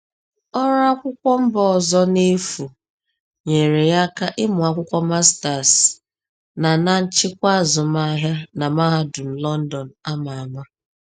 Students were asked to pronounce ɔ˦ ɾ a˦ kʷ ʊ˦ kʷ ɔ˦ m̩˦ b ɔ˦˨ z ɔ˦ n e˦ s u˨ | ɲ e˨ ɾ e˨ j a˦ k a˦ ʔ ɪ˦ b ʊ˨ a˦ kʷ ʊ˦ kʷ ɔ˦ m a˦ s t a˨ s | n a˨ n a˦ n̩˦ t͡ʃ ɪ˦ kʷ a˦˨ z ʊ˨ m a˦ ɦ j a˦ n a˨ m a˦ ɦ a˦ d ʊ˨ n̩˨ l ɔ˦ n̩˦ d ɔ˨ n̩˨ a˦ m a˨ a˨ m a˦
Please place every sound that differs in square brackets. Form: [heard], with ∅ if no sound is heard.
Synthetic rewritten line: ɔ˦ ɾ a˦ kʷ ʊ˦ kʷ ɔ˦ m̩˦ b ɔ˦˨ z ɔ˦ n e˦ [f] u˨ | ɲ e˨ ɾ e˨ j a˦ k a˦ ʔ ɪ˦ [m] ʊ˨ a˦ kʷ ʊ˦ kʷ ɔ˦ m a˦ s t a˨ s | n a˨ n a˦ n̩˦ t͡ʃ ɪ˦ kʷ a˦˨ z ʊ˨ m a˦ ɦ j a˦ n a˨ m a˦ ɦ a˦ d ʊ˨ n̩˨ l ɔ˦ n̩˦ d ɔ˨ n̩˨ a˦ m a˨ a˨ m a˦